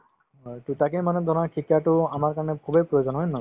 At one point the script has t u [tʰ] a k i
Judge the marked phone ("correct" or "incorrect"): incorrect